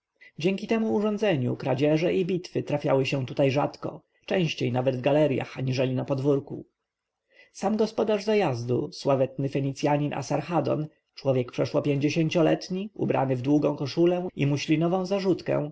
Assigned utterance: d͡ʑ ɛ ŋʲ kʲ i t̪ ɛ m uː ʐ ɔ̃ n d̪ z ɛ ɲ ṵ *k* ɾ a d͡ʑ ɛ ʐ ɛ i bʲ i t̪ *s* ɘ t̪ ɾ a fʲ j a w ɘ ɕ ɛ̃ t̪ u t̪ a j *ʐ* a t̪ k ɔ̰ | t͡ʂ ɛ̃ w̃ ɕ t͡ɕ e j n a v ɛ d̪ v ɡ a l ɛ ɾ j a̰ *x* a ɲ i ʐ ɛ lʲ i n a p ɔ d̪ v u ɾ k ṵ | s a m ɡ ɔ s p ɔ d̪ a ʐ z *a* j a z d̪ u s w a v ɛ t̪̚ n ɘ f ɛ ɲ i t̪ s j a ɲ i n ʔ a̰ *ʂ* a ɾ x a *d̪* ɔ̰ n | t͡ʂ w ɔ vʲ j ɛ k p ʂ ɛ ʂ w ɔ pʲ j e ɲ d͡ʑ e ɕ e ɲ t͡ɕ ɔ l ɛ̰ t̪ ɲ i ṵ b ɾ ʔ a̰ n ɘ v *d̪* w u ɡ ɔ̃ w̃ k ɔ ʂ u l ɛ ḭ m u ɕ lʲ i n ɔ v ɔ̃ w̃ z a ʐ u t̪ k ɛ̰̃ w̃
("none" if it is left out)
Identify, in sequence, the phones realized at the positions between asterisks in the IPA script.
k, f, ʐ, x, a, s, d̪, d̪

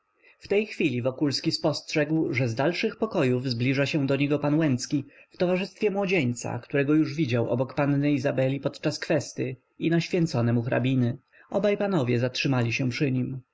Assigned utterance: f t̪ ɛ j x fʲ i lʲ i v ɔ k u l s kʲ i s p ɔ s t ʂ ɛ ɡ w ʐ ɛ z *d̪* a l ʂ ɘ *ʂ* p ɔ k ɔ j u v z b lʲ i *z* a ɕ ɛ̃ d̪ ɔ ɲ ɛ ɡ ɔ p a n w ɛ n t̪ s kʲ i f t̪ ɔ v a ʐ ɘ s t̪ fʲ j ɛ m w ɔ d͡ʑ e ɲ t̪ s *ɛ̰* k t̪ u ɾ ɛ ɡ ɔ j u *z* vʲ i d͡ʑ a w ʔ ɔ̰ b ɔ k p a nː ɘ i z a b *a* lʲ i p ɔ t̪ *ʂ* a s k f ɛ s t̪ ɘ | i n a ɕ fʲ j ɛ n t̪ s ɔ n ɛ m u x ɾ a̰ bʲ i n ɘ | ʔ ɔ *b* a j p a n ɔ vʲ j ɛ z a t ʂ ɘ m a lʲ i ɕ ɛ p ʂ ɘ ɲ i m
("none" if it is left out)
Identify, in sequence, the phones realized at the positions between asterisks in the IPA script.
d̪, x, ʐ, a̰, ʐ, ɛ, t͡ʂ, b

